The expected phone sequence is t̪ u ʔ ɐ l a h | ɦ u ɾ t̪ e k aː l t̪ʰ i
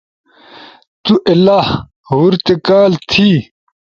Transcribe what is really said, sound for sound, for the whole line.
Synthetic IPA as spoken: t̪ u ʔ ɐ l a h | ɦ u ɾ t̪ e k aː l t̪ʰ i